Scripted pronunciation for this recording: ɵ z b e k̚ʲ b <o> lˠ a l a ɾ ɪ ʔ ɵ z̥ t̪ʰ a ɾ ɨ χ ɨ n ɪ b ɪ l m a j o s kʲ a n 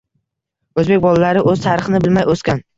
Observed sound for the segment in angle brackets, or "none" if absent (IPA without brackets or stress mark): ɒ